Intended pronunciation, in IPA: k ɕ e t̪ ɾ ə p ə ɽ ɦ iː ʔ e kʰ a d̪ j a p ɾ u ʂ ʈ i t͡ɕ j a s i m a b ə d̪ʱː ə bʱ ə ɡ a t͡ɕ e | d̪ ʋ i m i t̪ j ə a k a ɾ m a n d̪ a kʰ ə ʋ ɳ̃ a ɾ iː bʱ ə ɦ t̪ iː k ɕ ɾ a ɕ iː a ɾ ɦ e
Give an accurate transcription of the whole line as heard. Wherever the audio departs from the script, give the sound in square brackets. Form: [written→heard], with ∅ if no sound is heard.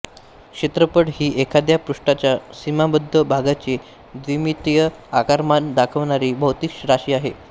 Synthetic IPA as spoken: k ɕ e t̪ ɾ ə p ə ɽ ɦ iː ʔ e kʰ a d̪ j a p ɾ u ʂ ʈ [i→a] t͡ɕ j a s i m a b ə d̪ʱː ə bʱ [ə→a] ɡ a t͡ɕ e | d̪ ʋ i m i t̪ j ə a k a ɾ m a n d̪ a kʰ ə ʋ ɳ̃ a ɾ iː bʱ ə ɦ t̪ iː k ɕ ɾ a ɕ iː a [ɾ→∅] ɦ e